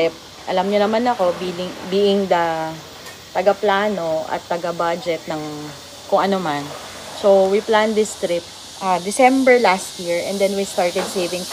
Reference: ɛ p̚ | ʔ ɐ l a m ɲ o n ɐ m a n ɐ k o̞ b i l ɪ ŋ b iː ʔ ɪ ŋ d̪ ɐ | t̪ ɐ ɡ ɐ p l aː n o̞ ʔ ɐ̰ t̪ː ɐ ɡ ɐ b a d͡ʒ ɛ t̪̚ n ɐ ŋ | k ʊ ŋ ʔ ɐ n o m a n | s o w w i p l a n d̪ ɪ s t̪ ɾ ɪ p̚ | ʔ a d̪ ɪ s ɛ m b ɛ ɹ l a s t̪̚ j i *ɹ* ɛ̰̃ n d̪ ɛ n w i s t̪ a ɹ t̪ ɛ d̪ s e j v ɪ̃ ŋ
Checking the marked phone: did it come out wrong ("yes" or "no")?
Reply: no